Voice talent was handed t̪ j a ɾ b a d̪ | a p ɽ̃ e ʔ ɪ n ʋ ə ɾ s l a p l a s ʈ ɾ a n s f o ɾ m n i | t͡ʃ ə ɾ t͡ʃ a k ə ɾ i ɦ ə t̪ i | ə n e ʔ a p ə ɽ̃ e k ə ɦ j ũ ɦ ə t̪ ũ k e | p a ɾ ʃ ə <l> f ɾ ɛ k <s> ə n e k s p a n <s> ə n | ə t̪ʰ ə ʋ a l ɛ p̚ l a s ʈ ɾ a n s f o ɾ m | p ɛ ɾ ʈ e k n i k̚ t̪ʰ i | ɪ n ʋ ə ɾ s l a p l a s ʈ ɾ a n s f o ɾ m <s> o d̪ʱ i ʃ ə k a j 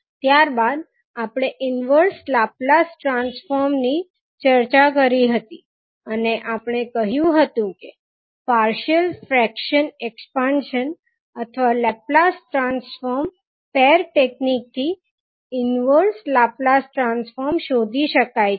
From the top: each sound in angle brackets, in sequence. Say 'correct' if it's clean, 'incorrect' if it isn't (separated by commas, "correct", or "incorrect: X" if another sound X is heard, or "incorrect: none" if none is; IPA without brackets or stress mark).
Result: correct, incorrect: ʃ, incorrect: ʃ, incorrect: ʃ